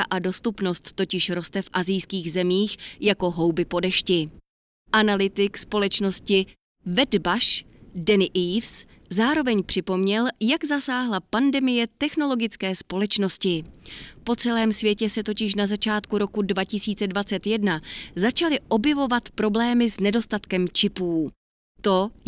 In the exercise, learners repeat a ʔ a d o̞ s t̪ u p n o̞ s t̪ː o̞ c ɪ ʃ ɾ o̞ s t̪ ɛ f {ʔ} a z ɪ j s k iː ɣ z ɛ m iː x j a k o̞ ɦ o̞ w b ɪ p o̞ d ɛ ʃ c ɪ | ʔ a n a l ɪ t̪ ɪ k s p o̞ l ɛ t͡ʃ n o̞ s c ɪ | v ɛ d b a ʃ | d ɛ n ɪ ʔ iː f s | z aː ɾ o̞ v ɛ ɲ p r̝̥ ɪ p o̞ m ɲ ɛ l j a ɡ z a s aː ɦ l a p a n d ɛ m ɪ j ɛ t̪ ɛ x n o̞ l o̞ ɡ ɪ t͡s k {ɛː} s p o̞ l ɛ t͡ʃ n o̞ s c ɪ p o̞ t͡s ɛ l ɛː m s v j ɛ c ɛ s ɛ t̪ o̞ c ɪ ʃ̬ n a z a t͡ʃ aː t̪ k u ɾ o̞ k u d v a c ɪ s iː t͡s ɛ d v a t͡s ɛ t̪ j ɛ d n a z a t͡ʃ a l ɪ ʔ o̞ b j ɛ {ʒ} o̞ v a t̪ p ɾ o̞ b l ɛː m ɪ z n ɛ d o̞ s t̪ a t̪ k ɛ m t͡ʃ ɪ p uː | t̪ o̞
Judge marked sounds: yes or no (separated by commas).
yes, yes, no